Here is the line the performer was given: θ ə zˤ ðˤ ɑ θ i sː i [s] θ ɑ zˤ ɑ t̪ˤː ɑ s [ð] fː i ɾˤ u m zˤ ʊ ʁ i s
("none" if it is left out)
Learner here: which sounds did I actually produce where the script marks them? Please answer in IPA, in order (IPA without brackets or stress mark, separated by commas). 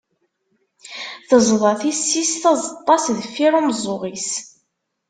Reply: s, ð